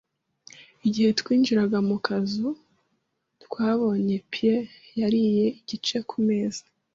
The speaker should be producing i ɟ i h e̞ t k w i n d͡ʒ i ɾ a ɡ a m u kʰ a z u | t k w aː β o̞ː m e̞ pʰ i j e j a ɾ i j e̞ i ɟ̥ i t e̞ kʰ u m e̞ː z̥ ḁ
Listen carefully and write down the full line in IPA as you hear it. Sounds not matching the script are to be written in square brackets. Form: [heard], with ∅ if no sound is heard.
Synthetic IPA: i ɟ i h e̞ t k w [iː] n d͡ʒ i ɾ a ɡ a m u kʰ a z u | t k w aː β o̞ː [ɲ] e̞ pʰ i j e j a ɾ i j e̞ i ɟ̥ i [t͡ʃ] e̞ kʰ u m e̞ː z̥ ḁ